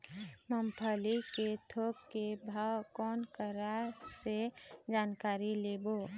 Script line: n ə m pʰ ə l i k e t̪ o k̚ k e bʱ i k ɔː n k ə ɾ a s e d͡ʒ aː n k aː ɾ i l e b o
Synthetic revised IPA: m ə m pʰ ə l i k e t̪ʰ o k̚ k e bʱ a k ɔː n k ə ɾ a s e d͡ʒ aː n k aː ɾ i l e b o